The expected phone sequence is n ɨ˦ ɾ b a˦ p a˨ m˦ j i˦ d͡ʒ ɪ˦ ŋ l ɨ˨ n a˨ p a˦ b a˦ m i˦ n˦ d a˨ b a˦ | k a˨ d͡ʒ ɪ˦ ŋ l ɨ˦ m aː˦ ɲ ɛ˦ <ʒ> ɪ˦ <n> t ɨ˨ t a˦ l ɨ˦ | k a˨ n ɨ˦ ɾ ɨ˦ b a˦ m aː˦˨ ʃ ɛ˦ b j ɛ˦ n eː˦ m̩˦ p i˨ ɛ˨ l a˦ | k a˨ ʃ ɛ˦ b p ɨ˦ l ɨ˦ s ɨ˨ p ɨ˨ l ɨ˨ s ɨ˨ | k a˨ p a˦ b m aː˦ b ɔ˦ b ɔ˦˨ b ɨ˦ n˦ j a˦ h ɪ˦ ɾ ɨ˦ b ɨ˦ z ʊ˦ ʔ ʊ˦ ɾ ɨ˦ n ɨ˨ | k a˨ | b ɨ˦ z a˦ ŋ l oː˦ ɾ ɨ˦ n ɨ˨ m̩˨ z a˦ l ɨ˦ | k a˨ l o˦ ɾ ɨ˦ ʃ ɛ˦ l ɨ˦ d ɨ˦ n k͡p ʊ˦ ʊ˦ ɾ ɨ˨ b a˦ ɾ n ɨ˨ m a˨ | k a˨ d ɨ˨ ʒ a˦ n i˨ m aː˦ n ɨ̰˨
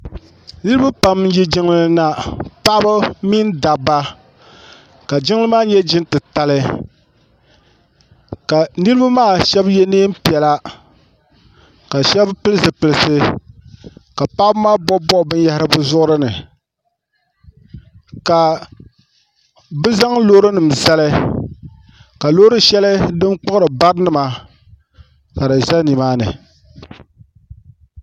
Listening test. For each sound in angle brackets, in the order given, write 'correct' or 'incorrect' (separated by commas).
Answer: incorrect, correct